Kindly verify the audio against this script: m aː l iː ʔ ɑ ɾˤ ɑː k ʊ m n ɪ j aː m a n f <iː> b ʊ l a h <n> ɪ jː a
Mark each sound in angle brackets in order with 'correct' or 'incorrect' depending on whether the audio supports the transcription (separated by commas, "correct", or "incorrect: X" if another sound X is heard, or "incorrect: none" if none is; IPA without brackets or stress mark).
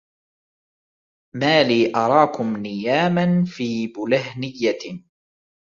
correct, correct